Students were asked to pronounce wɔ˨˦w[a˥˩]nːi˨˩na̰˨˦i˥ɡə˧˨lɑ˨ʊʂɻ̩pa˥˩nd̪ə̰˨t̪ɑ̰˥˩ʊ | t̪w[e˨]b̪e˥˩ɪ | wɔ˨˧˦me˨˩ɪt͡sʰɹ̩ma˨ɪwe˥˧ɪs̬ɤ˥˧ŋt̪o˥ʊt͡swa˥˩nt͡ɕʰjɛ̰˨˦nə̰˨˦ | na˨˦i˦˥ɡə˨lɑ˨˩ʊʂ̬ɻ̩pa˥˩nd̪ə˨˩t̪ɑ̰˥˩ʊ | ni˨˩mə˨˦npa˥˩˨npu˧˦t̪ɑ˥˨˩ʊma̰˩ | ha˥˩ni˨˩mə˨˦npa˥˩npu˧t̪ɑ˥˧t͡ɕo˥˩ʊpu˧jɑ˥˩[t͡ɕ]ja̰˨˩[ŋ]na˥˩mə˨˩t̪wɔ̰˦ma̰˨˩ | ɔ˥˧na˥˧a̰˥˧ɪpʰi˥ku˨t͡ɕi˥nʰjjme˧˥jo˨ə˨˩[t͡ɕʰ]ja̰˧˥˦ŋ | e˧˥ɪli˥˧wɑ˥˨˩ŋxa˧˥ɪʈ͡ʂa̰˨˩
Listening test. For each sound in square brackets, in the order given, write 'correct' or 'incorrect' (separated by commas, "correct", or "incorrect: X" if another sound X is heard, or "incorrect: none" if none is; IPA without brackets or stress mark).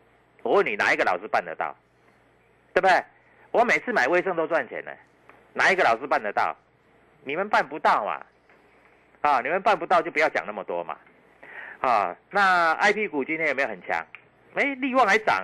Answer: incorrect: ə˥˩, incorrect: e˥˩, correct, correct, correct